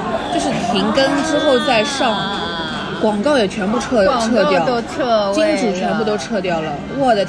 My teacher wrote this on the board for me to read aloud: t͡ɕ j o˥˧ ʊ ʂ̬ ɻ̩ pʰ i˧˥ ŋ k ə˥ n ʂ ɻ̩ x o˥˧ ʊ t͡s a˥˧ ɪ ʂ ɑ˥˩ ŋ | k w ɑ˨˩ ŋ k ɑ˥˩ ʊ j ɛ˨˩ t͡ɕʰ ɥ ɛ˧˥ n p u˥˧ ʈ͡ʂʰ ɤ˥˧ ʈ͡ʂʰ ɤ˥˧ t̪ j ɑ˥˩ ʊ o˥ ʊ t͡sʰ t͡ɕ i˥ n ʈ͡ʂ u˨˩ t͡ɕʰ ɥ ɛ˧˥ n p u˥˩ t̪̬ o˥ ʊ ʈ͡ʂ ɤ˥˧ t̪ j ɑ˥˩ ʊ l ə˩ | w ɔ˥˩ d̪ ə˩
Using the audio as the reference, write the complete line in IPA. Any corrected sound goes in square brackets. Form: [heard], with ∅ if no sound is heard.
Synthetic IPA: t͡ɕ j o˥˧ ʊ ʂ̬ ɻ̩ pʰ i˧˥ ŋ k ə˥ n [ʈ͡ʂ] ɻ̩ x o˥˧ ʊ t͡s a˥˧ ɪ ʂ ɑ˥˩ ŋ | k w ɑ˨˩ ŋ k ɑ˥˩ ʊ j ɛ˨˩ t͡ɕʰ ɥ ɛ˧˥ n p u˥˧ ʈ͡ʂʰ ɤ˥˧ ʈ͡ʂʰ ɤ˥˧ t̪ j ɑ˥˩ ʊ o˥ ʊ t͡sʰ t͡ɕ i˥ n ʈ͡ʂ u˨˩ t͡ɕʰ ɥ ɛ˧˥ n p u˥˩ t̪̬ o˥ ʊ [ʈ͡ʂʰ] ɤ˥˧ t̪ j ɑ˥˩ ʊ l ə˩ | w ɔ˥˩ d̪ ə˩